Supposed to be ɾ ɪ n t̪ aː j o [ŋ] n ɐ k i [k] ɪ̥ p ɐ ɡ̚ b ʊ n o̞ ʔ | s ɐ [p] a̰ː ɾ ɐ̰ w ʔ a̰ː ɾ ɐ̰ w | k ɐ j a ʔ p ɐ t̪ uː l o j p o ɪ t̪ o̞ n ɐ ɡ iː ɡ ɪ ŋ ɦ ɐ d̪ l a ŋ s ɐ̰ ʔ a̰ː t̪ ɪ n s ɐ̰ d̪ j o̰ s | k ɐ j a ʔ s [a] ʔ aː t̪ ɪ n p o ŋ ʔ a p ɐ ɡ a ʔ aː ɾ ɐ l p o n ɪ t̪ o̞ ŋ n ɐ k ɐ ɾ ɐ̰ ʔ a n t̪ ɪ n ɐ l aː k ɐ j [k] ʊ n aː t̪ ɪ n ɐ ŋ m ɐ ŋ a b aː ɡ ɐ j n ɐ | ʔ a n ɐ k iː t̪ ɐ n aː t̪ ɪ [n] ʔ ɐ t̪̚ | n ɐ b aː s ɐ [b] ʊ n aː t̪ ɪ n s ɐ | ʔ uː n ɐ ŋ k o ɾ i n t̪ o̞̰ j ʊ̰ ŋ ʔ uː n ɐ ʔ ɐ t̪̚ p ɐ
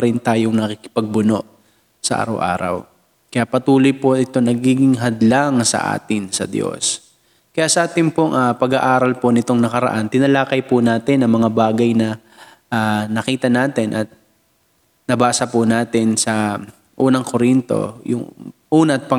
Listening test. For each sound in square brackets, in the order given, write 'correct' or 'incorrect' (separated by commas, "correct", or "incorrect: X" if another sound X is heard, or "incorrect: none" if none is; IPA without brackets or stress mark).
correct, correct, incorrect: ʔ, incorrect: ɐ, incorrect: p, correct, incorrect: p